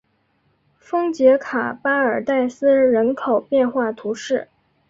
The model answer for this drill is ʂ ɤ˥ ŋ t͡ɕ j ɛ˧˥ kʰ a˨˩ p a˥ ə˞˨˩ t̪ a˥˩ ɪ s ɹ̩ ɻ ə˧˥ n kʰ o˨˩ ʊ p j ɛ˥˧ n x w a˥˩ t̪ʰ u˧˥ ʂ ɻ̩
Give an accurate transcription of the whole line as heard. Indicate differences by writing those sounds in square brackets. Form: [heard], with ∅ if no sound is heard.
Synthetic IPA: [f] ɤ˥ ŋ t͡ɕ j ɛ˧˥ kʰ a˨˩ p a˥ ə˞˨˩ t̪ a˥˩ ɪ s ɹ̩ ɻ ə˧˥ n kʰ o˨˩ ʊ p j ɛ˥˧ n x w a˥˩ t̪ʰ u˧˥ ʂ ɻ̩